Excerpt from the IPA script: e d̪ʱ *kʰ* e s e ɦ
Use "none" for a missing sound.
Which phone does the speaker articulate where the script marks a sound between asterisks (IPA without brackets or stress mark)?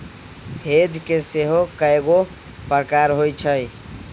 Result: k